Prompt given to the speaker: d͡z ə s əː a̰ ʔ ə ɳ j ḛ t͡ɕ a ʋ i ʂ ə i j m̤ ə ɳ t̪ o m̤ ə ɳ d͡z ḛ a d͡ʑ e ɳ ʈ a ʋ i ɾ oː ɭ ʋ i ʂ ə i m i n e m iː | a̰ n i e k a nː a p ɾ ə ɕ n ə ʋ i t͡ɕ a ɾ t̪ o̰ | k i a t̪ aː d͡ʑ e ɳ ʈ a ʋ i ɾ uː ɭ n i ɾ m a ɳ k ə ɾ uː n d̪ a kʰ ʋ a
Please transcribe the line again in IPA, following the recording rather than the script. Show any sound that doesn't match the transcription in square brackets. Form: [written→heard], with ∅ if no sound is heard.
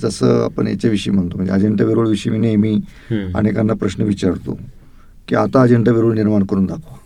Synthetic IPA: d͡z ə s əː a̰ [ʔ→p] ə ɳ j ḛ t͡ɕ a ʋ i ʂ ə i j m̤ ə ɳ t̪ o m̤ ə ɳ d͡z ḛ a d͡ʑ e ɳ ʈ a ʋ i ɾ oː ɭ ʋ i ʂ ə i m i n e m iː | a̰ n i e k a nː a p ɾ ə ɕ n ə ʋ i t͡ɕ a ɾ t̪ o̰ | k i a t̪ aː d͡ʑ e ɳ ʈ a ʋ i ɾ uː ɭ n i ɾ m a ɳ k ə ɾ uː n d̪ a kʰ ʋ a